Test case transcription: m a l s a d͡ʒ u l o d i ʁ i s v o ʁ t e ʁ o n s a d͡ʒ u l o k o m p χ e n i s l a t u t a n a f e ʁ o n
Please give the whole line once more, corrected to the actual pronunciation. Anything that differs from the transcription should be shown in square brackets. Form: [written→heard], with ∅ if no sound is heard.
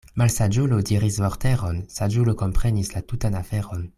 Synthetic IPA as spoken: m a l s a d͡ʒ u l o d i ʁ i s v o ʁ t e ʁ o n s a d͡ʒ u l o k o m p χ e n i s l a t u t a n a f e ʁ o n

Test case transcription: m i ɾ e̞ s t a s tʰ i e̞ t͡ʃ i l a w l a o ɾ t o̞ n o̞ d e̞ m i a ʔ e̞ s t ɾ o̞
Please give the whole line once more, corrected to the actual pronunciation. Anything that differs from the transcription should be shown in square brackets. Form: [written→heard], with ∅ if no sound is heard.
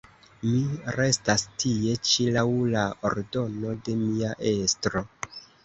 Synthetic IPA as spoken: m i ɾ e̞ s t a s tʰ i e̞ t͡ʃ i l a w l a o ɾ [t→d] o̞ n o̞ d e̞ m i a ʔ e̞ s t ɾ o̞

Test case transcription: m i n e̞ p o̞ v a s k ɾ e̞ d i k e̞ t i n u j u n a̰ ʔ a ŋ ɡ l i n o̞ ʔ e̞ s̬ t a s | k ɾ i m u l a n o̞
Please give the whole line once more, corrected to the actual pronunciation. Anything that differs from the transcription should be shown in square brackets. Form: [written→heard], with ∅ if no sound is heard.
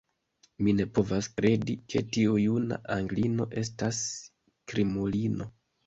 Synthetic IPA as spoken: m i n e̞ p o̞ v a s k ɾ e̞ d i k e̞ t i [n→∅] u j u n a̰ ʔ a ŋ ɡ l i n o̞ ʔ e̞ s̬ t a s | k ɾ i m u l [a→i] n o̞

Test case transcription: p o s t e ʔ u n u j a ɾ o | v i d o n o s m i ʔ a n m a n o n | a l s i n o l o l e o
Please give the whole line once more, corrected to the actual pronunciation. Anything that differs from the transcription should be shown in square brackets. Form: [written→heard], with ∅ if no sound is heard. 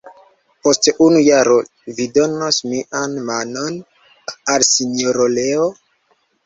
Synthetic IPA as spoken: p o s t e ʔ u n u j a ɾ o | v i d o n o s m i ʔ a n m a n o n | a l s i n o [l→ɾ] o l e o

